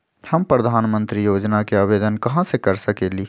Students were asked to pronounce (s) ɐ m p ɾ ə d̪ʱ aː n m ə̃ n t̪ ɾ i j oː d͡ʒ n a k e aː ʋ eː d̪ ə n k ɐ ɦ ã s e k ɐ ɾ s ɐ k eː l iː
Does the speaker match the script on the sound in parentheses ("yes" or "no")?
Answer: no